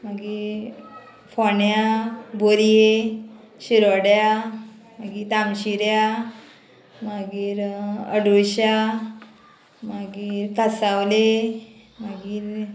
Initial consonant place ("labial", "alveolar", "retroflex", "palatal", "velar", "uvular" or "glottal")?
labial